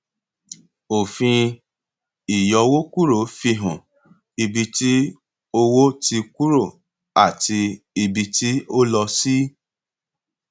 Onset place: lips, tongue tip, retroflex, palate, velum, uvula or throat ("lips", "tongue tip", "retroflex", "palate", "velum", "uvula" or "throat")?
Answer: lips